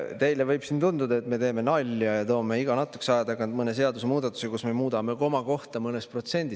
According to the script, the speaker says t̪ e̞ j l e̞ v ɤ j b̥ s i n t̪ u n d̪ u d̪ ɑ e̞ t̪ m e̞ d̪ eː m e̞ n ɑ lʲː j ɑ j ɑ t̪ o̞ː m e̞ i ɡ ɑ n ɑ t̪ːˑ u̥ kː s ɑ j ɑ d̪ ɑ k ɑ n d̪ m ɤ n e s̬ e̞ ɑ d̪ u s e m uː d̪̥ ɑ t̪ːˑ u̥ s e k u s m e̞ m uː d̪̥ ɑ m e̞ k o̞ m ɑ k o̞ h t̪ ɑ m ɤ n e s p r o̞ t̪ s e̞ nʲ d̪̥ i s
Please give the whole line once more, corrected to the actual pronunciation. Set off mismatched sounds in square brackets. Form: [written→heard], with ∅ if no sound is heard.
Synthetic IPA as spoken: t̪ e̞ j l e̞ v ɤ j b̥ s i n t̪ u n d̪ u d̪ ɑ e̞ t̪ m e̞ [d̪→t̪] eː m e̞ n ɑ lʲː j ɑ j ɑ t̪ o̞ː m e̞ i ɡ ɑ n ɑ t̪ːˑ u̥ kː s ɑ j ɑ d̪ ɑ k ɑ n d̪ m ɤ n e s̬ e̞ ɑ d̪ u s e m uː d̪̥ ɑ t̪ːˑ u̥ s e k u s m e̞ m uː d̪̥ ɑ m e̞ k o̞ m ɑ k o̞ h t̪ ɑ m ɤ n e s p r o̞ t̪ s e̞ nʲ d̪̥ i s

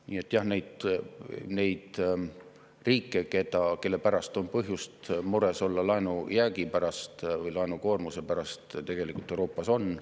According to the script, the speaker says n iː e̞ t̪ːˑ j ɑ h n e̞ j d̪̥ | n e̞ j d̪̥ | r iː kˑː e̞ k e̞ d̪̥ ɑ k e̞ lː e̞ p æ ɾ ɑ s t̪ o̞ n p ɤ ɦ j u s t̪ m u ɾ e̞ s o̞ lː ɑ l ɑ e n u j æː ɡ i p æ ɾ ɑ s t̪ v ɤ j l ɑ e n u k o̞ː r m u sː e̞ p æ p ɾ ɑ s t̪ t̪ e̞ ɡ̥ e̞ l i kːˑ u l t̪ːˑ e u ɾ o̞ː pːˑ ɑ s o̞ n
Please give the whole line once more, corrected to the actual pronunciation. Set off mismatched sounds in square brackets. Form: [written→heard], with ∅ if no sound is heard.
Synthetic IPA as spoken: n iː e̞ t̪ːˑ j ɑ h n e̞ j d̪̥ | n e̞ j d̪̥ | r iː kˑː e̞ k e̞ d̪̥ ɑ k e̞ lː e̞ p æ ɾ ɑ s t̪ o̞ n p ɤ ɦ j u s t̪ m u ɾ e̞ s o̞ lː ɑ l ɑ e n u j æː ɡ i p æ ɾ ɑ s t̪ v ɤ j l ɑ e n u k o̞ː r m u [sː→s] e̞ p æ [p→∅] ɾ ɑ s t̪ t̪ e̞ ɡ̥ e̞ l i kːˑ u l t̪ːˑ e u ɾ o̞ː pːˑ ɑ s o̞ n

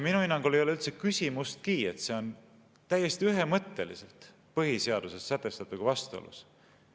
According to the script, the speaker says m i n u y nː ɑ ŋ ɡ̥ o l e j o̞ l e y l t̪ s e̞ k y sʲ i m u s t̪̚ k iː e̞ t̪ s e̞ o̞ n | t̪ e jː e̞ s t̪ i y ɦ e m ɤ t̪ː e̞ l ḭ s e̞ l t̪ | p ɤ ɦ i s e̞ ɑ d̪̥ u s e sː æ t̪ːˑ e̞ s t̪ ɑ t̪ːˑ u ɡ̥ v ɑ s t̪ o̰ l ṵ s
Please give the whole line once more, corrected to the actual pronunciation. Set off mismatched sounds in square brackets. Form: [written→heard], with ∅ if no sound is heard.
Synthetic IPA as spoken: m i n u [y→i] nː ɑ ŋ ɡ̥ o l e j o̞ l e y l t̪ s e̞ k y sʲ i m u s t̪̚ k iː e̞ t̪ s e̞ o̞ n | t̪ [e→æ] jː e̞ s t̪ i y ɦ e m ɤ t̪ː e̞ l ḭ s e̞ l t̪ | p ɤ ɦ i s e̞ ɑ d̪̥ u s e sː æ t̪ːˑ e̞ s t̪ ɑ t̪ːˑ u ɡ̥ v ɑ s t̪ o̰ l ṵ s

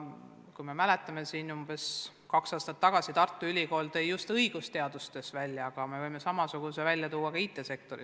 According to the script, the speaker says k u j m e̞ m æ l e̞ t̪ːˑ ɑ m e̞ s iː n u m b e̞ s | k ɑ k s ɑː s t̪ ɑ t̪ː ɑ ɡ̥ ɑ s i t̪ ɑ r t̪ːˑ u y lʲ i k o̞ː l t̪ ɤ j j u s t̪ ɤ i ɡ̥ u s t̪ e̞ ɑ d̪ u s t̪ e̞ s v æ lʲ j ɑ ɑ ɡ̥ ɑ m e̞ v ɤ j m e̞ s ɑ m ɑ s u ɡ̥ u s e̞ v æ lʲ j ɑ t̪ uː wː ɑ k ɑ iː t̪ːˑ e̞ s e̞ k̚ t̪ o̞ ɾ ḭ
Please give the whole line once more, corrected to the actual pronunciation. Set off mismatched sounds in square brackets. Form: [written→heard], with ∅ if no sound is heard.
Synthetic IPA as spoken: k u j m e̞ m æ l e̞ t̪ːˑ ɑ m e̞ s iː n u m b e̞ s | k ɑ k s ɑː s t̪ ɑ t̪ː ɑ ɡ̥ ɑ s i t̪ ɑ r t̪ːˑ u y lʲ i k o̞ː l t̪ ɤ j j u s t̪ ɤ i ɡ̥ u s t̪ e̞ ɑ d̪ u s t̪ e̞ s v æ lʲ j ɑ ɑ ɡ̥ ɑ m e̞ v ɤ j m e̞ s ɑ m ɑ s u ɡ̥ u s e̞ v æ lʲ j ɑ t̪ uː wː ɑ k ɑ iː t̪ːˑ e̞ s e̞ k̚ t̪ o̞ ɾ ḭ

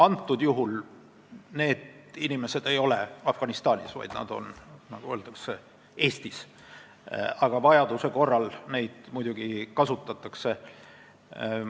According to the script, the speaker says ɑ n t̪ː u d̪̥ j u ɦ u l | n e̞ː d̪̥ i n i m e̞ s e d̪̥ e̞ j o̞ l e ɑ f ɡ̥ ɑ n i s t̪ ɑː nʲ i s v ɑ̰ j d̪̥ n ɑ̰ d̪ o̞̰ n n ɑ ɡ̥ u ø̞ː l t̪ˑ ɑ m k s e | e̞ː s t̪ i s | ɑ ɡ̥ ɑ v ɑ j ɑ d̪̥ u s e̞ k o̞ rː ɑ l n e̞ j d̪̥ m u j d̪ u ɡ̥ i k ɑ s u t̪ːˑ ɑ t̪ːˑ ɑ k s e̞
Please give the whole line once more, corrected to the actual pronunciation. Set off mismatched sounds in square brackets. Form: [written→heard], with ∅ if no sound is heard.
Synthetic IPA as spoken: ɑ n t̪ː u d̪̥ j u ɦ u l | n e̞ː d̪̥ i n i m e̞ s e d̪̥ e̞ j o̞ l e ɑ f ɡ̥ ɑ n i s t̪ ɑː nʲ i s v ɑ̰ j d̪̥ n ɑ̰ d̪ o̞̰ n n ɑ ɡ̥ u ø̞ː l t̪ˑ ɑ [m→∅] k s e | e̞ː s t̪ i s | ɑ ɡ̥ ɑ v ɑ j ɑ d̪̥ u s e̞ k o̞ rː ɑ l n e̞ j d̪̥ m u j d̪ u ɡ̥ i k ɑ s u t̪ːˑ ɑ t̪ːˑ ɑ k s e̞

